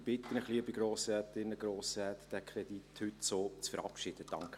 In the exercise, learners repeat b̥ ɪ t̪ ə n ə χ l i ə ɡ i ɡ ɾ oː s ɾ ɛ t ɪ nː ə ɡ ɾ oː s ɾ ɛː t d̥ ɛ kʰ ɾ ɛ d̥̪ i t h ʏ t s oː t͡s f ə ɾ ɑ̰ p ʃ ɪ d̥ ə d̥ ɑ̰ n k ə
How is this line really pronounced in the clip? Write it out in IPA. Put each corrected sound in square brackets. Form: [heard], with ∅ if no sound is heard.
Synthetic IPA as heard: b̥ ɪ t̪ ə n ə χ l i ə [b] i ɡ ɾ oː s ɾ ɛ t ɪ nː ə ɡ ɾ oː s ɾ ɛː t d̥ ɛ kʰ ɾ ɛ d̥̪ i t h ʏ t s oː t͡s f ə ɾ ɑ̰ p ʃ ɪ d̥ ə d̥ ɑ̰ [ŋ] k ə